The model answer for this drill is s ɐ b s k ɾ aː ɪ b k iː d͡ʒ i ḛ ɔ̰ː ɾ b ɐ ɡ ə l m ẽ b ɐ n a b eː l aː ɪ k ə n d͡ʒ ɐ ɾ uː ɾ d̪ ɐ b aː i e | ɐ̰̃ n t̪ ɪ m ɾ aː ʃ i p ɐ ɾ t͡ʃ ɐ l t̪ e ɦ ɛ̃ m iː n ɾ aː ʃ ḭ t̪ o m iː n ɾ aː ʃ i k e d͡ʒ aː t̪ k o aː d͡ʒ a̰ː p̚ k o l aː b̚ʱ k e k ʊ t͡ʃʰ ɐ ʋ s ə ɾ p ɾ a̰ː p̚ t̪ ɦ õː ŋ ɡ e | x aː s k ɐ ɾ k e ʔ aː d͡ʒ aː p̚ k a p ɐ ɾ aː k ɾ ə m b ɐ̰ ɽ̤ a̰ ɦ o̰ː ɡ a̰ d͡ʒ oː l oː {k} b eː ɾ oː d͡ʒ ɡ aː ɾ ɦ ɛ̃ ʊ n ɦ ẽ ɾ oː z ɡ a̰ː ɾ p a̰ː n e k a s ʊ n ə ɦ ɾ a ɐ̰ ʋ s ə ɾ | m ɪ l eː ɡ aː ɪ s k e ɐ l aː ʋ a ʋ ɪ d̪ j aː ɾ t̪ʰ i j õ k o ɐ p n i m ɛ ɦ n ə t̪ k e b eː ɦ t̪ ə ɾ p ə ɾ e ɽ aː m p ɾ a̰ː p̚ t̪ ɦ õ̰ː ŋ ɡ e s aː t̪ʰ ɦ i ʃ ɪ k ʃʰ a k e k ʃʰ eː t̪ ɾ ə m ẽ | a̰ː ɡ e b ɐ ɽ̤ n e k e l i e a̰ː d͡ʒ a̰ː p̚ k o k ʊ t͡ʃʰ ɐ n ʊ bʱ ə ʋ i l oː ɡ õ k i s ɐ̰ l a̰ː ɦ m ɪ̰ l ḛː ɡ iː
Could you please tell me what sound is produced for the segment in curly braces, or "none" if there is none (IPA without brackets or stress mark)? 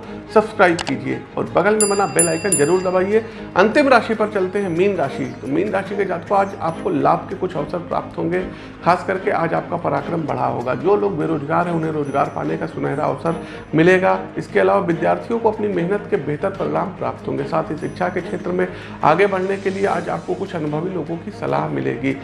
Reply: ɡ